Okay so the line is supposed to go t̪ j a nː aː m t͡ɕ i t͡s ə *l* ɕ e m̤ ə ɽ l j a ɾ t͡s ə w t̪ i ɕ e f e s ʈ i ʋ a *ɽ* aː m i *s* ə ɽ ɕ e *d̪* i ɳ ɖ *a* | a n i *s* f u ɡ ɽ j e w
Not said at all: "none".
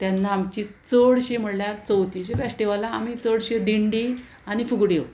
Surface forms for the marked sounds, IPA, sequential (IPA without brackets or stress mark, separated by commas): ɽ, l, t͡s, d̪, i, none